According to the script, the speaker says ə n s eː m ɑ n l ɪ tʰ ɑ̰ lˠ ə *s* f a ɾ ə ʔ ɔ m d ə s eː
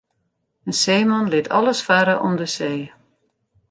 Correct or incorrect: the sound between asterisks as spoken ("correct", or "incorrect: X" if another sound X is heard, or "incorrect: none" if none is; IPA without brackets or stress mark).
correct